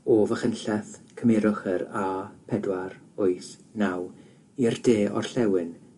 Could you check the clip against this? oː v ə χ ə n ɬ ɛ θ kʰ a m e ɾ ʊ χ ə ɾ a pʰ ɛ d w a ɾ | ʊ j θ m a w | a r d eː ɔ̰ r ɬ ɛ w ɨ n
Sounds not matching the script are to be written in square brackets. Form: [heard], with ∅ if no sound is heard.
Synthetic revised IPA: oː v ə χ ə n ɬ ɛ θ kʰ [ə] m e ɾ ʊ χ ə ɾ a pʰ ɛ d w a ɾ | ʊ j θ [n] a w | [i] r d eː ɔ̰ r ɬ ɛ w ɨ n